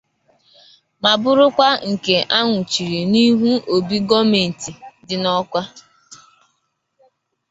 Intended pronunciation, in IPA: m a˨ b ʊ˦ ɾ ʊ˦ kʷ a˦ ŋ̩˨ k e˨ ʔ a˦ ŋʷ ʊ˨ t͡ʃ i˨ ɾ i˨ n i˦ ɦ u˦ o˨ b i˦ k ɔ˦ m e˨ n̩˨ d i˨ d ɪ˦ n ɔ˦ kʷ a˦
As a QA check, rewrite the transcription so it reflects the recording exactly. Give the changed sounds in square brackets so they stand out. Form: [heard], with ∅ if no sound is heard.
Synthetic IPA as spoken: m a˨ b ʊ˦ ɾ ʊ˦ kʷ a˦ ŋ̩˨ k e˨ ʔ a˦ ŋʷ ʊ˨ t͡ʃ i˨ ɾ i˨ n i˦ ɦ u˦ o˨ b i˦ [ɡ] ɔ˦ m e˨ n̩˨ [t] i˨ d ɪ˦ n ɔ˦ kʷ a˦